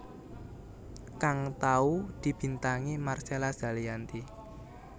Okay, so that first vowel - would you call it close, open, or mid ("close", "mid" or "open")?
open